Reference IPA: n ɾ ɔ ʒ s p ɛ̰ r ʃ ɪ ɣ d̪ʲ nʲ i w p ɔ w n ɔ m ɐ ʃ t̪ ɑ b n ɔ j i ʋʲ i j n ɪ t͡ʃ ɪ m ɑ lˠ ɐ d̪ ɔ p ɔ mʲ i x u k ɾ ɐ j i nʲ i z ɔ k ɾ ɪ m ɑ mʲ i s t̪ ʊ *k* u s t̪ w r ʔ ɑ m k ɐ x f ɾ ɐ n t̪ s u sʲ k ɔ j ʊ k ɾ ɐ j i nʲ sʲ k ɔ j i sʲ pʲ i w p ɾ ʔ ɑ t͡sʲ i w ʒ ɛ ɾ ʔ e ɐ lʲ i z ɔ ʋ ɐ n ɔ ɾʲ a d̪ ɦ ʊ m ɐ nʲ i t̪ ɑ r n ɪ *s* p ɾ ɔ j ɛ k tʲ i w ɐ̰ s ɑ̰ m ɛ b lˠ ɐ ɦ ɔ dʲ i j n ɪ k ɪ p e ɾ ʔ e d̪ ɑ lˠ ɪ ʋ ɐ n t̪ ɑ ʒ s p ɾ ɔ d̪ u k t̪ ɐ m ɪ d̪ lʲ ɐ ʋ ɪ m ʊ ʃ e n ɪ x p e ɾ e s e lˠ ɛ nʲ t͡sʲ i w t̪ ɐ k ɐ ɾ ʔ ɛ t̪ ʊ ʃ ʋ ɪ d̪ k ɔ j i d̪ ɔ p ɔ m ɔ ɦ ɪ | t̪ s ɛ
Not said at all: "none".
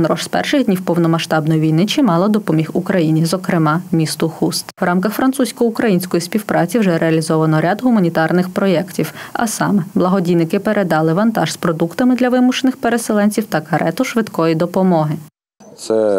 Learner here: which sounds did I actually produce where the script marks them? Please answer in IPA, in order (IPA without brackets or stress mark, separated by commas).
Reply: x, x